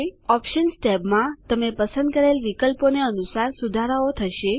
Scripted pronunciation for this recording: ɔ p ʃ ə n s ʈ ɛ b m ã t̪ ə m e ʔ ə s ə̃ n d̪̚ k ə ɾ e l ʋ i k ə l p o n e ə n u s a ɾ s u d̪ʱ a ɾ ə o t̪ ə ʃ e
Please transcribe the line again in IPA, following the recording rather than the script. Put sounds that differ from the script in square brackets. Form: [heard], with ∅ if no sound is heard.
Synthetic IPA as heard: ɔ p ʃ ə n s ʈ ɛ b m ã t̪ ə m e [p] ə s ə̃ n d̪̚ k ə ɾ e l ʋ i k ə l p o n e ə n u s a ɾ s u d̪ʱ a ɾ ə o [t̪ʰ] ə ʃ e